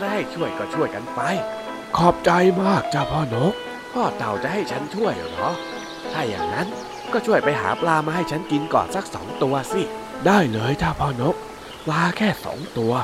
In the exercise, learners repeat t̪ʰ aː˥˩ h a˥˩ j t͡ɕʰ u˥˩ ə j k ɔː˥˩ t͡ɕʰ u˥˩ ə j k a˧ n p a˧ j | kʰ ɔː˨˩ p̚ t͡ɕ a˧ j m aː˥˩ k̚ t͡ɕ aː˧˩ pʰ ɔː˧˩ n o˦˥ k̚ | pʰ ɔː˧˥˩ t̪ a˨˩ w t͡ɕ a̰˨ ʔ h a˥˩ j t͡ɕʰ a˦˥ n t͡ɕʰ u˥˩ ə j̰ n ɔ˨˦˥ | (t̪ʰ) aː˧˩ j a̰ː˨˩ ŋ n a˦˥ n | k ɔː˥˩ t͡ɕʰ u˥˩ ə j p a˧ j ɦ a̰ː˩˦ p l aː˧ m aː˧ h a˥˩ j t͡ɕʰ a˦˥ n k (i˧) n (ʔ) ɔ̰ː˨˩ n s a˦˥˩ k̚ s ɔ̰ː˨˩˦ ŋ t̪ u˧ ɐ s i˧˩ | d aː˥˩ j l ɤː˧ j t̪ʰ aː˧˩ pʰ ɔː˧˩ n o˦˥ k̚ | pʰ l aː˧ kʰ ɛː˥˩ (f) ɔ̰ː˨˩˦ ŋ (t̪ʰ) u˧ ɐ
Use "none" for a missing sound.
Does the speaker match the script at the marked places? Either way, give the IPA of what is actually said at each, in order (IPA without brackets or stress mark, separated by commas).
t̪ʰ, i˧, k, s, t̪